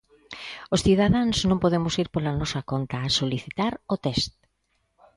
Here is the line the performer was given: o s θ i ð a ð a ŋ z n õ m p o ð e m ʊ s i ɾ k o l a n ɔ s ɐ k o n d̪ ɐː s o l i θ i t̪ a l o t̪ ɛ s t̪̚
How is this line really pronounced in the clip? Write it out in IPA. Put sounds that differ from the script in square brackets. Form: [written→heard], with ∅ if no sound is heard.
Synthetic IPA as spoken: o s θ i ð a ð a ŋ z n õ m p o ð e m ʊ s i ɾ [k→p] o l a n ɔ s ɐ k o n [d̪→t̪] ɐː s o l i θ i t̪ a [l→ɾ] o t̪ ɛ s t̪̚